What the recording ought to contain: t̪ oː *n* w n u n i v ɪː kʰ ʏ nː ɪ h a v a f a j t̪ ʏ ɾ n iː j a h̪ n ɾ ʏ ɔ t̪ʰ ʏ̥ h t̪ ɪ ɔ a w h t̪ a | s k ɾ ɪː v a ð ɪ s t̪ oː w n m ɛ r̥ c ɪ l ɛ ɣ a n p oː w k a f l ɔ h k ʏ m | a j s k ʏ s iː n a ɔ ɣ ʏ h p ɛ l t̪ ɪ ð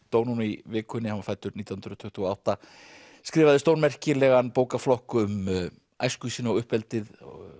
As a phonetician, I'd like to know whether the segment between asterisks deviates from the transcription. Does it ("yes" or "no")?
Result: yes